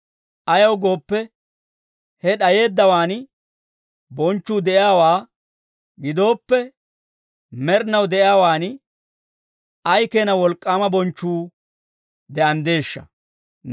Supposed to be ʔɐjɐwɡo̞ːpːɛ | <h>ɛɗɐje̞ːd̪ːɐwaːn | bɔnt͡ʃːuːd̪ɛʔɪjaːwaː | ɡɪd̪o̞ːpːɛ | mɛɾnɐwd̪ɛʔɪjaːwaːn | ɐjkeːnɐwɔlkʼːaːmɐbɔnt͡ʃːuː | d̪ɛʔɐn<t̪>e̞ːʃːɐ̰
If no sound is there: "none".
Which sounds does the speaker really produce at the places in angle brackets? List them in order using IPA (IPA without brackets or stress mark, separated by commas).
h, d̪